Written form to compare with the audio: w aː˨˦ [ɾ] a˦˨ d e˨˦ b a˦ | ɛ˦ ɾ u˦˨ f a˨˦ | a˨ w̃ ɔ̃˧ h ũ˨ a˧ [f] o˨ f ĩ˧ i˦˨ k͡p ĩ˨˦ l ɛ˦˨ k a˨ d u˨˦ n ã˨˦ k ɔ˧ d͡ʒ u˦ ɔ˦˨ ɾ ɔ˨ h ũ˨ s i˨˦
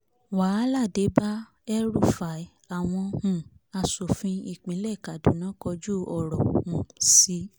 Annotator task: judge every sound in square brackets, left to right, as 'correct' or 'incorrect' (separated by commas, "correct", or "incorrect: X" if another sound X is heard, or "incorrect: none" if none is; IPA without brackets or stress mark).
incorrect: l, incorrect: s